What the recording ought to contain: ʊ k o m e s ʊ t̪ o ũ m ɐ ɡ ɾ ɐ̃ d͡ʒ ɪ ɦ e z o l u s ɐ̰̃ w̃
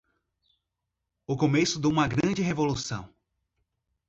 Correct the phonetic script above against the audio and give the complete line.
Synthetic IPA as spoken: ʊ k o m e s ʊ d̪ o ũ m ɐ ɡ ɾ ɐ̃ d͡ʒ ɪ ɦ e v o l u s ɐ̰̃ w̃